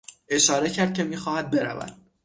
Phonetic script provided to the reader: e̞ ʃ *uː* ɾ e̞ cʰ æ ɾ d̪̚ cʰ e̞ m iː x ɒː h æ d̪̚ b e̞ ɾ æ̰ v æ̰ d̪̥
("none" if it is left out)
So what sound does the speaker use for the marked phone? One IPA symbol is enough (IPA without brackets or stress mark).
ɒː